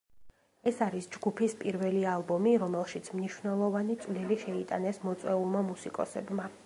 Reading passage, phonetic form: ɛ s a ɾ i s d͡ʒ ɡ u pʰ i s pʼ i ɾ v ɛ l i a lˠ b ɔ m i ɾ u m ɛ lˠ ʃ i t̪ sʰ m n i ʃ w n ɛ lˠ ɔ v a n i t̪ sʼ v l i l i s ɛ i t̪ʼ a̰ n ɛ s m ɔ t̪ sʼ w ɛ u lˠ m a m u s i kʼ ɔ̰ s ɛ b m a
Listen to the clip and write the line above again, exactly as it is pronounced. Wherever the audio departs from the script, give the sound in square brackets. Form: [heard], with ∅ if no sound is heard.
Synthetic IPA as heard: ɛ s a ɾ i s d͡ʒ ɡ u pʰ i s pʼ i ɾ v ɛ l i a lˠ b ɔ m i ɾ [ɔ] m ɛ lˠ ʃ i t̪ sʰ m n i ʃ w n ɛ lˠ ɔ v a n i t̪ sʼ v l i l i [ʃ] ɛ i t̪ʼ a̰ n ɛ s m ɔ t̪ sʼ w ɛ u lˠ m a m u s i kʼ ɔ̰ s ɛ b m a